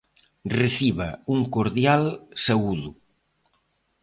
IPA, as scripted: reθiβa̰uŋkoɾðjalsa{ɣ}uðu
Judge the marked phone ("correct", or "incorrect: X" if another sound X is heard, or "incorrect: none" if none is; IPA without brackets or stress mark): correct